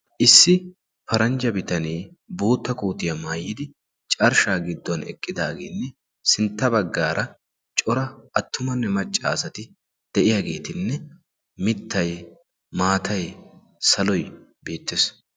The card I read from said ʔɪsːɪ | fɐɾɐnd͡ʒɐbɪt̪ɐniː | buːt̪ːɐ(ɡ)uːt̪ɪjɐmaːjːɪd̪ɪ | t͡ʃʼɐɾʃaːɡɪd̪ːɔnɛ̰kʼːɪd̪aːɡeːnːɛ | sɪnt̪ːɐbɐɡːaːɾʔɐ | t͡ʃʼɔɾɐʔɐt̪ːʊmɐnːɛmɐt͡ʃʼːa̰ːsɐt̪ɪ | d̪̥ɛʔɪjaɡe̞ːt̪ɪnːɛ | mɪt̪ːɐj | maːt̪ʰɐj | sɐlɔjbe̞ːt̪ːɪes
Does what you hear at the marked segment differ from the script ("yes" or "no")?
yes